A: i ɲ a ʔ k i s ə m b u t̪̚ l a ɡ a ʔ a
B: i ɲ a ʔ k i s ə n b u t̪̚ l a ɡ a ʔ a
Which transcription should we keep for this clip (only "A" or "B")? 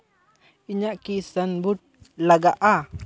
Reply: B